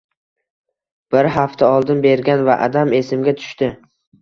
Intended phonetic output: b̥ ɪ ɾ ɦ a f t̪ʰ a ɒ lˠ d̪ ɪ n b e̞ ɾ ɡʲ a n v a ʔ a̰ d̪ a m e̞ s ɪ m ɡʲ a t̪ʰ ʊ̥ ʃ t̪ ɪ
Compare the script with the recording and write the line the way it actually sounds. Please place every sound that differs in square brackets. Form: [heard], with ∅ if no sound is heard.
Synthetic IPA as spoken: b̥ ɪ ɾ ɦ a f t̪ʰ a ɒ lˠ d̪ ɪ n b e̞ ɾ ɡʲ a n v a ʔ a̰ d̪ a m e̞ s ɪ m ɡʲ a t̪ʰ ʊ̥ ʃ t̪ ɪ